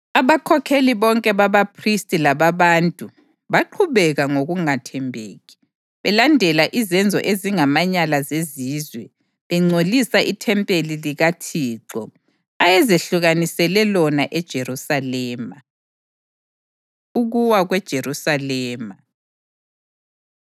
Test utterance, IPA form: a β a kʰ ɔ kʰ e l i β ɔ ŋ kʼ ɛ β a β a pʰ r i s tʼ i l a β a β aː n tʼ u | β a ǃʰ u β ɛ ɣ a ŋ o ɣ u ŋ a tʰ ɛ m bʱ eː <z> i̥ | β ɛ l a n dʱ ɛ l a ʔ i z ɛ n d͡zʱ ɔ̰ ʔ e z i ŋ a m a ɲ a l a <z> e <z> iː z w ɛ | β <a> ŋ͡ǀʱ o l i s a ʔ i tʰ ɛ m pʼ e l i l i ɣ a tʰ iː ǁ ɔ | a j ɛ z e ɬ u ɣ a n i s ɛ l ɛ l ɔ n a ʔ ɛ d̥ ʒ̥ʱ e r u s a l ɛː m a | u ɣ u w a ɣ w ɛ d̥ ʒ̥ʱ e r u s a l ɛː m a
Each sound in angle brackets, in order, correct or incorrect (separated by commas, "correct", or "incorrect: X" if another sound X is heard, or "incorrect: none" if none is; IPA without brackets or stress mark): incorrect: ɣ, correct, correct, incorrect: ɛ